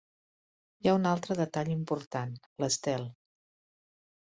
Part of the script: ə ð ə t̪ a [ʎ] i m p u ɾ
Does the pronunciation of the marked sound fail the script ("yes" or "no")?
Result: no